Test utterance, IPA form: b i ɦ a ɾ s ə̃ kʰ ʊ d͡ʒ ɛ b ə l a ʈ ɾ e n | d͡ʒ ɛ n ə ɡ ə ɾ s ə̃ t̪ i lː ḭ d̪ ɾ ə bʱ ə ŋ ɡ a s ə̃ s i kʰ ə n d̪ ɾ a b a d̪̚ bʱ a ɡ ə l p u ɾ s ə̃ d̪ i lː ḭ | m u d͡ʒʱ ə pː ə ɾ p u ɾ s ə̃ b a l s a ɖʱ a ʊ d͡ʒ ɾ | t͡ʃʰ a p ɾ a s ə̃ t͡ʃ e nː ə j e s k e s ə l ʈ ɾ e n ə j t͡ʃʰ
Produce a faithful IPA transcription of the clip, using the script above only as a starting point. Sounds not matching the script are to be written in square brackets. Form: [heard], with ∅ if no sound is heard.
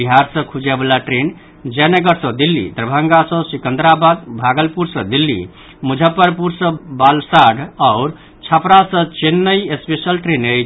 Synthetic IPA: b i ɦ a ɾ s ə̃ kʰ [u] d͡ʒ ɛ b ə l a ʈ ɾ e n | d͡ʒ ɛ n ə ɡ ə ɾ s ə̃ [d̪] i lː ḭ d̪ ɾ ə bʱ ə ŋ ɡ a s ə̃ s i [k] ə n d̪ ɾ a b a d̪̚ bʱ a ɡ ə l p u ɾ s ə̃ d̪ i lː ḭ | m u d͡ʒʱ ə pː ə ɾ p u ɾ s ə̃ b a l s a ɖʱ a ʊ [∅] ɾ | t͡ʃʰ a p ɾ a s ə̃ t͡ʃ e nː ə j e s [p] e s ə l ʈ ɾ e n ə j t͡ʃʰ